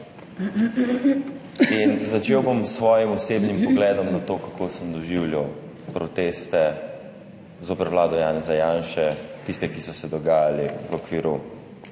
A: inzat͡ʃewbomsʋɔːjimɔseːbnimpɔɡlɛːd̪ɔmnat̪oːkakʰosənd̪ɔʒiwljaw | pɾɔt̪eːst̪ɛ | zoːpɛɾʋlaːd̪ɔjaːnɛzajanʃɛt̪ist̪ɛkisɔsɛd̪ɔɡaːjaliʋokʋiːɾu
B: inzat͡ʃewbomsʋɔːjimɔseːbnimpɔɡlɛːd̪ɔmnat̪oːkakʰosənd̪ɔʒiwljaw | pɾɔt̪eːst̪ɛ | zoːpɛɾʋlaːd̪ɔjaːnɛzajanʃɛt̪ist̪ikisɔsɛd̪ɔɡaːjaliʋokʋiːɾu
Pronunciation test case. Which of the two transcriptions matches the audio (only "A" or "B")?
A